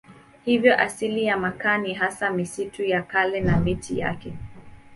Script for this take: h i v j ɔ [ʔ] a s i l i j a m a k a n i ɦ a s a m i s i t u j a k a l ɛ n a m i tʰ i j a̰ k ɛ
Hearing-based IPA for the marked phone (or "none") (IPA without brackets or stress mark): ʔ